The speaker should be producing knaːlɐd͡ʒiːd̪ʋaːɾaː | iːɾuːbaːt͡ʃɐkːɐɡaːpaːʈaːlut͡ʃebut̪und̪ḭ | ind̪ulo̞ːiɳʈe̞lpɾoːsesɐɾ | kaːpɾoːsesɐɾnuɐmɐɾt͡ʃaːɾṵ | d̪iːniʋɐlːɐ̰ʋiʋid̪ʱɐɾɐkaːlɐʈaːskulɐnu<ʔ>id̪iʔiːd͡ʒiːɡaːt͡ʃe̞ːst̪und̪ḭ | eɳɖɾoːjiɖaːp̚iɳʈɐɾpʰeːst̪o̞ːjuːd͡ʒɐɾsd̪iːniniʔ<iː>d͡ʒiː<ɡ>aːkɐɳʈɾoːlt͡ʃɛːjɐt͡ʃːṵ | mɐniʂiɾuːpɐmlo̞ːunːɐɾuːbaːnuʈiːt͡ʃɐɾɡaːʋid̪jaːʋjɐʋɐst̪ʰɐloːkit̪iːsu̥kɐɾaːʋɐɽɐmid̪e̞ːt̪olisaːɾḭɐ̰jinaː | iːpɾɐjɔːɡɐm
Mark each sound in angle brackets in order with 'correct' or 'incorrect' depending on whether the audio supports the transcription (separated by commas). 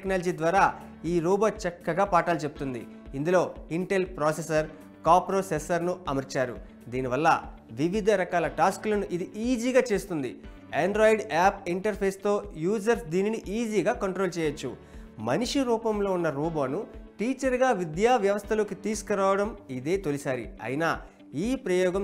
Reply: correct, correct, correct